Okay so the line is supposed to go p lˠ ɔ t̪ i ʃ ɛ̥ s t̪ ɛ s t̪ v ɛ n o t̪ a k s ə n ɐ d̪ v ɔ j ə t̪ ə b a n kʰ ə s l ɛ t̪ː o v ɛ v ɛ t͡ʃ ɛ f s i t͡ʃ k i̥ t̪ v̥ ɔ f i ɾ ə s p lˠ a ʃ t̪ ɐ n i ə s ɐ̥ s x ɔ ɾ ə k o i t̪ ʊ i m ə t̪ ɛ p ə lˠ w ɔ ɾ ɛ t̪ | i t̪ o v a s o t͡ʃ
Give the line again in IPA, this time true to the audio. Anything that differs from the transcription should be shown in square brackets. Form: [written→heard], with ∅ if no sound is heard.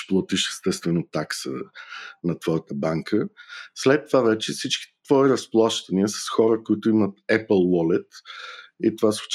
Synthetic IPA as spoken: p lˠ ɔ t̪ i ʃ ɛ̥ s t̪ ɛ s t̪ v ɛ n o t̪ a k s ə n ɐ [d̪→t̪] v ɔ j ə t̪ ə b a [n→ŋ] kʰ ə s l ɛ t̪ː o v [ɛ→a] v ɛ t͡ʃ ɛ f s i t͡ʃ k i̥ t̪ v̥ ɔ [f→∅] i ɾ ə s p lˠ a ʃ t̪ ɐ n i ə s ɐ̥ s x ɔ ɾ ə k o i t̪ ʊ i m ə t̪ ɛ p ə lˠ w ɔ [ɾ→l] ɛ t̪ | i t̪ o v a s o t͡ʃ